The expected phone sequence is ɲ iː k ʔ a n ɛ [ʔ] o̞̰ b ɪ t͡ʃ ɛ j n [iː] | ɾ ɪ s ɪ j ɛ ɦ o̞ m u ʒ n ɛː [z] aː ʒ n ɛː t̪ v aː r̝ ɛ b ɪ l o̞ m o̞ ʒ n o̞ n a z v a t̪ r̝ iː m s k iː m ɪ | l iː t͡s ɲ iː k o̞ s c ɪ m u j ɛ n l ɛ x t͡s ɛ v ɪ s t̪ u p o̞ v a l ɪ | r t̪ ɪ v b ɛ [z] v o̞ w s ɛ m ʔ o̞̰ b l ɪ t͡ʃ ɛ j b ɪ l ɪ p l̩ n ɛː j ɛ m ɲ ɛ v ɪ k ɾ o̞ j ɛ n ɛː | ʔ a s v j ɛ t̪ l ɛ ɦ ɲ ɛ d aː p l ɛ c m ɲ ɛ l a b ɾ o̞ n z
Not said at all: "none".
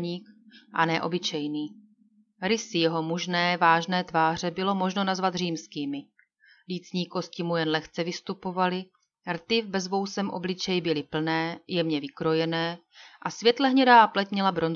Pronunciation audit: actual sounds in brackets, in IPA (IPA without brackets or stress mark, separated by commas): ʔ, iː, v, z